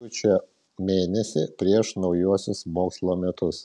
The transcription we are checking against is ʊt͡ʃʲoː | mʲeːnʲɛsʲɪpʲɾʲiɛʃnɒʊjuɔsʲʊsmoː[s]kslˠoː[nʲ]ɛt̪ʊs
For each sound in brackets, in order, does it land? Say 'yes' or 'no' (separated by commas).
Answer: no, no